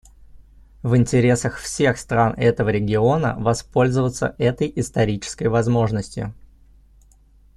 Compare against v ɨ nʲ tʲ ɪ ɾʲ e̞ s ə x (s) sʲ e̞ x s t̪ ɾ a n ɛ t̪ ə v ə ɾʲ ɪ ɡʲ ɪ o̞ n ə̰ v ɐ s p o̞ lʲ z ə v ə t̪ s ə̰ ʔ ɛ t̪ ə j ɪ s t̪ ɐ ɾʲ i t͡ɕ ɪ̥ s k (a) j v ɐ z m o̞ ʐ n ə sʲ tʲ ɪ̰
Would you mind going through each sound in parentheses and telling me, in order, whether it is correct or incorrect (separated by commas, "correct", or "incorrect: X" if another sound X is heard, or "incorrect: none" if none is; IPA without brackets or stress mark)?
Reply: incorrect: f, incorrect: ə